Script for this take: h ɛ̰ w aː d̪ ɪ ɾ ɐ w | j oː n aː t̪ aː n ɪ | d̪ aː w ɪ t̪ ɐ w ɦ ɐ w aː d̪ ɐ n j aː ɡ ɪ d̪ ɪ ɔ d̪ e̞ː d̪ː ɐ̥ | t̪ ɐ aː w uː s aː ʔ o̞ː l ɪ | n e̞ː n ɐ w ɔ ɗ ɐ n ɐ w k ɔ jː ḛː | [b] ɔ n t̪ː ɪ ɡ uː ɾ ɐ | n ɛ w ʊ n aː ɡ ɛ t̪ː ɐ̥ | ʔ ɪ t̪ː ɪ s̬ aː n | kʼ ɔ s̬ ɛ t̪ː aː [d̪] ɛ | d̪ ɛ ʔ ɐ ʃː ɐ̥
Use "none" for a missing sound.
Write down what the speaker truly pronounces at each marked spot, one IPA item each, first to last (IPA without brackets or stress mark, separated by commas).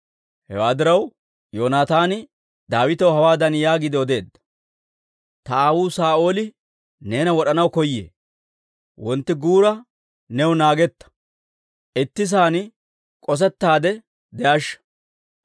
w, d̪